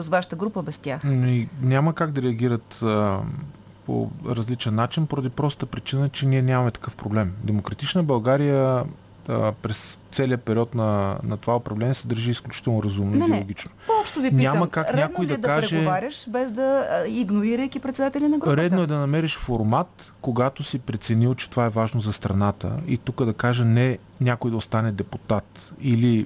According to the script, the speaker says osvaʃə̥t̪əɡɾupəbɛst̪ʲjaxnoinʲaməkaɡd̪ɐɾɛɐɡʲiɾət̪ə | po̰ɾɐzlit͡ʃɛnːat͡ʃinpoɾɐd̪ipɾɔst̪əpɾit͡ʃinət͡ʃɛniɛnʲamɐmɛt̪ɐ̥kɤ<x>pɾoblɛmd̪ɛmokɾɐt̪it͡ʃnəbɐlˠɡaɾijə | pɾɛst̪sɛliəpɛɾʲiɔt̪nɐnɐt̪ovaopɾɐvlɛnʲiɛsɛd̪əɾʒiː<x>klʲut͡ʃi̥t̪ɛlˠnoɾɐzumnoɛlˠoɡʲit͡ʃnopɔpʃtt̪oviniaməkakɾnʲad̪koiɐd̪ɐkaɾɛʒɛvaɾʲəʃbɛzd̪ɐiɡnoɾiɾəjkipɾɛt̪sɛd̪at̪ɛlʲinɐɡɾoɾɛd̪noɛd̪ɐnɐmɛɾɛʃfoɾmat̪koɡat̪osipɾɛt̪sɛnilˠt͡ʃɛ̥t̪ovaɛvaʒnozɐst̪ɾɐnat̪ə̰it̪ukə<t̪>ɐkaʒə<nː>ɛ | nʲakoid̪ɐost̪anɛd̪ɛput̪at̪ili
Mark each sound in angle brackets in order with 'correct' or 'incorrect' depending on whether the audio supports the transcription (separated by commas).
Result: incorrect, incorrect, incorrect, incorrect